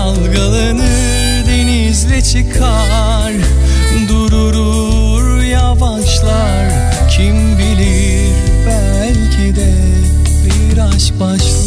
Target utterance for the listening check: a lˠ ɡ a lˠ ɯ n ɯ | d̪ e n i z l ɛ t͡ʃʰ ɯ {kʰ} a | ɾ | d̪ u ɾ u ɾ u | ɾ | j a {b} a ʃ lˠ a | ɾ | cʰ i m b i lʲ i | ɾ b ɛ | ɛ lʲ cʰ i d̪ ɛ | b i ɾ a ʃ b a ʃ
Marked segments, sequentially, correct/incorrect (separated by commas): correct, incorrect